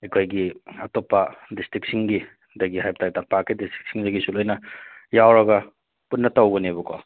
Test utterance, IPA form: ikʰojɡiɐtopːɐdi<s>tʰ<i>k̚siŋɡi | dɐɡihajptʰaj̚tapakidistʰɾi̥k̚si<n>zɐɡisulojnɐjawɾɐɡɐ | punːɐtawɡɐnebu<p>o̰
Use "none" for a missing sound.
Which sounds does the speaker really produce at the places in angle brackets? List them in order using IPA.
s, i, ŋ, k

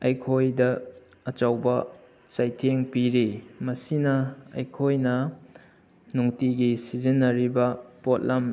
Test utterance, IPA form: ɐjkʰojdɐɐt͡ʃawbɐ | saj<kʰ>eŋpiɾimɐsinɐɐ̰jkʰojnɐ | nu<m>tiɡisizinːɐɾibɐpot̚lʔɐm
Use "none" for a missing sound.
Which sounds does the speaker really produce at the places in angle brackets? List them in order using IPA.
tʰ, ŋ

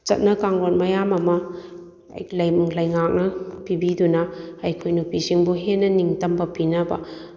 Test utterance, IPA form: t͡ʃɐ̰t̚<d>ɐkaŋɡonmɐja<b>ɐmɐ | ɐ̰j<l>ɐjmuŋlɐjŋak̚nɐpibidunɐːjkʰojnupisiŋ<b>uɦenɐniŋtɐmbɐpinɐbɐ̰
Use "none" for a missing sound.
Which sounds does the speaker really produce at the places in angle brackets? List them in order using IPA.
n, m, l, b

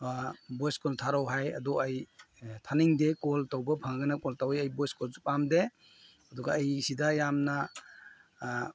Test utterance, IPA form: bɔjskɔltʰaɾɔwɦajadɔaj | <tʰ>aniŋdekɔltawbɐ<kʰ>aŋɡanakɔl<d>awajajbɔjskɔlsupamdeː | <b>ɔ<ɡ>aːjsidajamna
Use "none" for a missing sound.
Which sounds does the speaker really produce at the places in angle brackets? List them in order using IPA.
tʰ, pʰ, t, d, ɡ

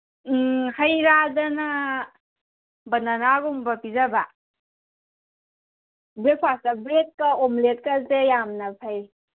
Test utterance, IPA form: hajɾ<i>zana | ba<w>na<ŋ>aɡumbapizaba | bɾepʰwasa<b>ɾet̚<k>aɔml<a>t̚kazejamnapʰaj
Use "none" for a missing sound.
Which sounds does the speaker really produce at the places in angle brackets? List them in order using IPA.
a, none, n, b, k, e

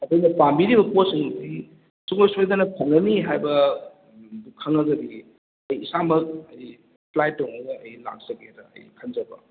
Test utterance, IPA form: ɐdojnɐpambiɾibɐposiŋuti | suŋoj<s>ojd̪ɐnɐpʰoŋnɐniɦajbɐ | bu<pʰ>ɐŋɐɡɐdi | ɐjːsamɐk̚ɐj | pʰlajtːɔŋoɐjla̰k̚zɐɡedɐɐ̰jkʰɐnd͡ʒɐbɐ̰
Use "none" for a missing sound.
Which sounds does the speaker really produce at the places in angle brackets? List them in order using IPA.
s, kʰ

